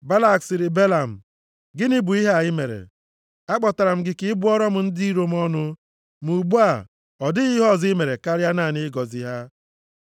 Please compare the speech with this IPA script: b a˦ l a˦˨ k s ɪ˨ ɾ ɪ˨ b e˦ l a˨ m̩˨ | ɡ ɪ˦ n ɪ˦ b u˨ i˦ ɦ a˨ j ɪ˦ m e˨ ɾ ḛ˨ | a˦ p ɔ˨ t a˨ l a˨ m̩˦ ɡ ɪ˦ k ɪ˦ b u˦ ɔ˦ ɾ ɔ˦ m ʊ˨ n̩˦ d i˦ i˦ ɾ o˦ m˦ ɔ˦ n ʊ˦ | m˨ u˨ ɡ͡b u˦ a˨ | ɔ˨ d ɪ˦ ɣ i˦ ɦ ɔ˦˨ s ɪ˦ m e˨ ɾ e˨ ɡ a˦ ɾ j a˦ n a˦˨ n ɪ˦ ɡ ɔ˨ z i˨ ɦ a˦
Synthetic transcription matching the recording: b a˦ l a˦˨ k s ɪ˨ ɾ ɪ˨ b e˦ l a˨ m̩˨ | ɡ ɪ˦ n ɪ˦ b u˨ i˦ ɦ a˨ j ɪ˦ m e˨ ɾ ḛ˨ | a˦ k͡p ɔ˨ t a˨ ɾ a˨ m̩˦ ɡ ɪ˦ k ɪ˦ b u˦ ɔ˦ ɾ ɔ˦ m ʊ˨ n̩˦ d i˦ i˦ ɾ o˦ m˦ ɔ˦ n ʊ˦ | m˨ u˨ ɡ͡b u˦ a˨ | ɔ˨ d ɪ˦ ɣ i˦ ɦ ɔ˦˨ z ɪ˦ m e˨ ɾ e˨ k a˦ ɾ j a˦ n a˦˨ n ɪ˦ ɡ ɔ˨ z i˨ ɦ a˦